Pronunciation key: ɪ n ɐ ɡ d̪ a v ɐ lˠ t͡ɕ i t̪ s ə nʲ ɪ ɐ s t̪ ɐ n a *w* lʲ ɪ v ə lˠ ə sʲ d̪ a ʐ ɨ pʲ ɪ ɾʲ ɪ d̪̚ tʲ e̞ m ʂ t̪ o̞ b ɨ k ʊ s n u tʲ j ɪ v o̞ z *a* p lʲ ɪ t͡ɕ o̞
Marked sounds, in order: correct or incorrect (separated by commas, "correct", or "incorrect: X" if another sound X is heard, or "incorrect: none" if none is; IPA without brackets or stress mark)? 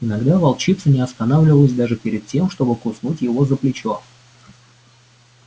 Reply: incorrect: v, incorrect: ə